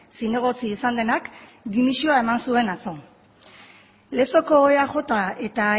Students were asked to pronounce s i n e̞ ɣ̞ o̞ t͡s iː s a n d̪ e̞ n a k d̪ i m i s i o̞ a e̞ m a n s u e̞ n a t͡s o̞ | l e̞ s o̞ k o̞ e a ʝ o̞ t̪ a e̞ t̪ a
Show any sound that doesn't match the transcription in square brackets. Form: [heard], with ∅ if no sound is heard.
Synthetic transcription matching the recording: s i n e̞ ɣ̞ o̞ t͡s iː s a n d̪ e̞ n a k d̪ i m i s i o̞ a e̞ m a n s u e̞ n a t͡s o̞ | l e̞ s o̞ k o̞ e a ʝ o̞ t̪ a e̞ t̪ a